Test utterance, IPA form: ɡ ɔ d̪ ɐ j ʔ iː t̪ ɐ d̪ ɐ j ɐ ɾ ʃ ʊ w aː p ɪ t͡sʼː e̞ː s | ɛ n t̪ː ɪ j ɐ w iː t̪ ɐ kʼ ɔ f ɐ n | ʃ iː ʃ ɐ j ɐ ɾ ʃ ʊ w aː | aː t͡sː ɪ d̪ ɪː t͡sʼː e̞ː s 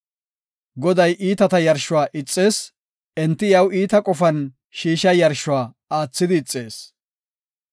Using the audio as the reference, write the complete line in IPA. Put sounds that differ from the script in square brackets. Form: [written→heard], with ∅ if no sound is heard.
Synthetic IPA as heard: ɡ ɔ d̪ ɐ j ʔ iː t̪ ɐ [d̪→t̪] ɐ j ɐ ɾ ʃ ʊ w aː [p→ʔ] ɪ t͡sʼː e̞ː s | ɛ n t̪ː ɪ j ɐ w iː t̪ ɐ kʼ ɔ f ɐ n | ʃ iː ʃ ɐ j ɐ ɾ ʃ ʊ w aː | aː t͡sː ɪ d̪ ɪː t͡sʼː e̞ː s